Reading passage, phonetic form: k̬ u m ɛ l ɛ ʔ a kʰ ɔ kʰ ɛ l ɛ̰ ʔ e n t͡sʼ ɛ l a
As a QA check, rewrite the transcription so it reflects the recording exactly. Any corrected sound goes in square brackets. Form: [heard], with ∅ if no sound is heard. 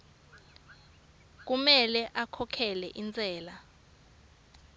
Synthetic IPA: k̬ u m ɛ l ɛ ʔ a kʰ ɔ kʰ ɛ l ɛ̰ ʔ [i] n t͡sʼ [ɛː] l a